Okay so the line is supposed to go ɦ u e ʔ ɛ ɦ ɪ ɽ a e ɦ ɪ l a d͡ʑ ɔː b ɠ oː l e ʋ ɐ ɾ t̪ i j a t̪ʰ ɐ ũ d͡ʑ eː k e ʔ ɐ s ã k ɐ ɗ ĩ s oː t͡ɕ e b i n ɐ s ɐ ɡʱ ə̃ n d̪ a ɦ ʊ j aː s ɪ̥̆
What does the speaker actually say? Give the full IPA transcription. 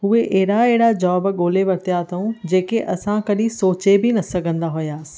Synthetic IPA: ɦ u e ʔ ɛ ɦ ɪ ɽ a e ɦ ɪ ɽ a d͡ʑ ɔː b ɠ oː l e ʋ ɐ ɾ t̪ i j a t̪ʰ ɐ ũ d͡ʑ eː k e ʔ ɐ s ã k ɐ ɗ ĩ s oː t͡ɕ e b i n ɐ s ɐ ɡʱ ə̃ n d̪ a ɦ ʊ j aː s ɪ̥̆